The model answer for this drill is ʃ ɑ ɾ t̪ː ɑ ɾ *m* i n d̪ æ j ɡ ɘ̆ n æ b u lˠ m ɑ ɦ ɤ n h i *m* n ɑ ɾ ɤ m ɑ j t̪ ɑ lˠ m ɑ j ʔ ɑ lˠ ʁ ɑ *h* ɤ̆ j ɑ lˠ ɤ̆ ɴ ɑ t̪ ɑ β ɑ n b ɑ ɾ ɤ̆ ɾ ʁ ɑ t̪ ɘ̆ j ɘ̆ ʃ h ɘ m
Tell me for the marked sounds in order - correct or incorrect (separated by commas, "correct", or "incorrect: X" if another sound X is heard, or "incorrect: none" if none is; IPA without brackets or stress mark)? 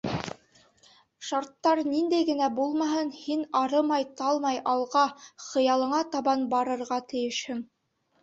incorrect: n, incorrect: none, incorrect: χ